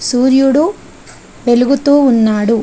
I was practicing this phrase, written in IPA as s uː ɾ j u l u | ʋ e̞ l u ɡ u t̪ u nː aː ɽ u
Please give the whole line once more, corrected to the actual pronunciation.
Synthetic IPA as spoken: s uː ɾ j u ɽ u | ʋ e̞ l u ɡ u t̪ uː nː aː ɽ u